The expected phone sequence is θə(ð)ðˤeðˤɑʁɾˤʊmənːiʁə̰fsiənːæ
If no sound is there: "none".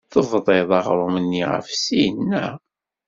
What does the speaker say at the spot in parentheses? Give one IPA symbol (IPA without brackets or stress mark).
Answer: v